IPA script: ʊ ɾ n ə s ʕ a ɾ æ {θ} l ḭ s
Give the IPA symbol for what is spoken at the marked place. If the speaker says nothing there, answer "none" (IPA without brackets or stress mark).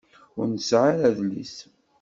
ð